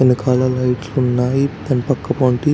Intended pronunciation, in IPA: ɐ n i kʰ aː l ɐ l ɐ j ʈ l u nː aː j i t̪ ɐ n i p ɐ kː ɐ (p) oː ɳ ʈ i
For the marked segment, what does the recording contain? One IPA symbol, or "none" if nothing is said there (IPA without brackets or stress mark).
p